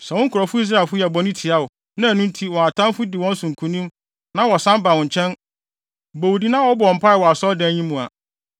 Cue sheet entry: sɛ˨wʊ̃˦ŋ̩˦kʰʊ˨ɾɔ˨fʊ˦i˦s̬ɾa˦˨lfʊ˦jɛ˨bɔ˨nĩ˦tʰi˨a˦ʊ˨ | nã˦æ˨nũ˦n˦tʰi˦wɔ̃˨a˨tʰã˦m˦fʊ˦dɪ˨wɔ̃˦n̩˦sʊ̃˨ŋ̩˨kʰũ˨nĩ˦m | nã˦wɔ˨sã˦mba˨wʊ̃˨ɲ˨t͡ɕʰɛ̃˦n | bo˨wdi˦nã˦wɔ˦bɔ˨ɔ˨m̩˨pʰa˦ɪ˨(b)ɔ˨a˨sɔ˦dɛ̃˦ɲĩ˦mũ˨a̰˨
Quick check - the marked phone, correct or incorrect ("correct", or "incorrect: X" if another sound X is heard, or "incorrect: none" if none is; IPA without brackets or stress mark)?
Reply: incorrect: w